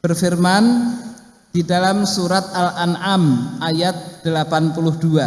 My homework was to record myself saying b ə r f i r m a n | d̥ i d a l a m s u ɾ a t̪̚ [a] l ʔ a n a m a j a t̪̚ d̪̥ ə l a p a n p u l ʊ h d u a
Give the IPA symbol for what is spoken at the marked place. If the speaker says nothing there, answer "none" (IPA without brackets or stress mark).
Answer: a